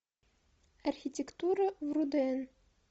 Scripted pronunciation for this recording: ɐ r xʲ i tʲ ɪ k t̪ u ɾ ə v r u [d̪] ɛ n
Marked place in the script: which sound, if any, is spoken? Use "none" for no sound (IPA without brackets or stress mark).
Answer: d̪